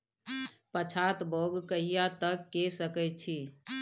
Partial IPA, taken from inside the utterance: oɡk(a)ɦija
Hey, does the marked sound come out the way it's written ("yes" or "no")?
no